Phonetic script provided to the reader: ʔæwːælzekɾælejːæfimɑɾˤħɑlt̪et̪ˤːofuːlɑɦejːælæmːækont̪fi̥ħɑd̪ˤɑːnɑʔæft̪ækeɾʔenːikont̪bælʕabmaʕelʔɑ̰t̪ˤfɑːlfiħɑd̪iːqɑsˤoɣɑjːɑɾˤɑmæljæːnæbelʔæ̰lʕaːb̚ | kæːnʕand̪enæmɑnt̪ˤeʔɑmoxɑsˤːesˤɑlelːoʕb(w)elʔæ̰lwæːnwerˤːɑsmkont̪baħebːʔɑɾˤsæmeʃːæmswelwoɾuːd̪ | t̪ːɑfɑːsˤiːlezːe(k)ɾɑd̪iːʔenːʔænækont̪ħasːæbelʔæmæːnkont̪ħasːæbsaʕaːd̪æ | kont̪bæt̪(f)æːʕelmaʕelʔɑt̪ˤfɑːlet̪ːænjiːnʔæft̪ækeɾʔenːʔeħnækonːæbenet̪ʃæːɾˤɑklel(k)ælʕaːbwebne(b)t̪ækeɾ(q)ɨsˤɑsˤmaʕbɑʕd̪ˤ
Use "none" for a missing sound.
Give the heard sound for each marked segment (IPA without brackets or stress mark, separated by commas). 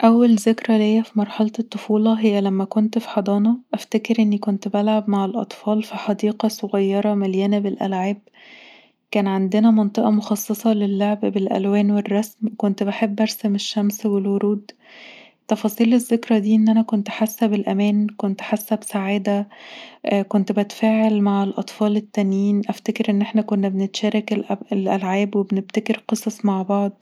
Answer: b, k, f, ʔ, b, q